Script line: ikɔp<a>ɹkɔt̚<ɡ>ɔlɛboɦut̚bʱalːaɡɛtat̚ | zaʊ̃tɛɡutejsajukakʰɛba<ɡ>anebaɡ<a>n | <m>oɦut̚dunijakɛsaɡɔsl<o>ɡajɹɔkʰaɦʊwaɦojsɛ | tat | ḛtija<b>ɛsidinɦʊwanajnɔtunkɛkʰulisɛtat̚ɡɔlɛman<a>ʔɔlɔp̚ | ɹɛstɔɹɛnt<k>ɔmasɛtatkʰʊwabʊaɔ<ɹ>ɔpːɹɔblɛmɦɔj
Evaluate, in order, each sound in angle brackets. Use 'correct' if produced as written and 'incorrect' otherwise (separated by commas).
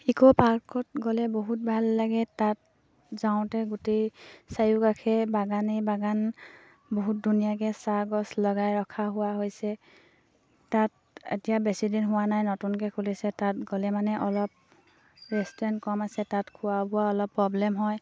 correct, correct, correct, correct, incorrect, incorrect, correct, incorrect, correct, incorrect